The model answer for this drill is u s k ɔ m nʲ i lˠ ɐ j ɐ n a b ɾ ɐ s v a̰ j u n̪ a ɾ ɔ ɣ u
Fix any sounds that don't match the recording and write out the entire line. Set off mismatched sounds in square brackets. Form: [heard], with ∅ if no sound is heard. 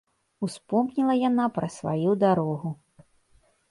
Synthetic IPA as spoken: u s [p] ɔ m nʲ i lˠ ɐ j [a] n a [p] ɾ ɐ s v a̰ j u [d̪] a ɾ ɔ ɣ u